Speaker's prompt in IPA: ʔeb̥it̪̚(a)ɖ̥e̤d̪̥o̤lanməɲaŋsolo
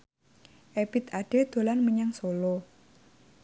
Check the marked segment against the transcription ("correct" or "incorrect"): correct